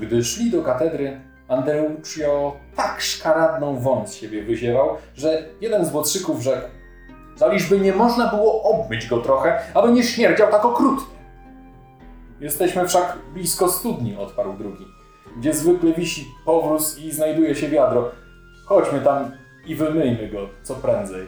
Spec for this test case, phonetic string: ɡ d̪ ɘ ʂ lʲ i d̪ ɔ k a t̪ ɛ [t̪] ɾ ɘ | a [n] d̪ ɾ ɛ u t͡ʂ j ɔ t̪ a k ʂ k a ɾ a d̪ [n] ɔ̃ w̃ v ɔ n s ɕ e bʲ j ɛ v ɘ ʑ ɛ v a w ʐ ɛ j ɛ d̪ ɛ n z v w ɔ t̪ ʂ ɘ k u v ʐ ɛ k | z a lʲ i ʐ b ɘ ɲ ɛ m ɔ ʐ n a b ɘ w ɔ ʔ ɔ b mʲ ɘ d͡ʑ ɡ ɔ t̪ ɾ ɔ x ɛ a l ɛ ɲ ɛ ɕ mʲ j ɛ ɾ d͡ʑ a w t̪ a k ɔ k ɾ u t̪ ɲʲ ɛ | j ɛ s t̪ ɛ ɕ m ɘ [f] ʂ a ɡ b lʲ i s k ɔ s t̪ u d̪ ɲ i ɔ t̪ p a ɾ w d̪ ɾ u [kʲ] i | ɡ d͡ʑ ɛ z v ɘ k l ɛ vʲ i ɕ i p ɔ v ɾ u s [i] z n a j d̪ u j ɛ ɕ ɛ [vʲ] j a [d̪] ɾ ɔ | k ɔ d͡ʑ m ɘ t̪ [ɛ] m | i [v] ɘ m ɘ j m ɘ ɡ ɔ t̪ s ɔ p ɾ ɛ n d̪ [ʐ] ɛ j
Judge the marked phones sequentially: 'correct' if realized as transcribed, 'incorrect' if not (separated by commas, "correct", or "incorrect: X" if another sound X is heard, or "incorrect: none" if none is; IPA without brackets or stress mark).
incorrect: d̪, correct, correct, correct, incorrect: ɡʲ, correct, correct, correct, incorrect: a, correct, incorrect: z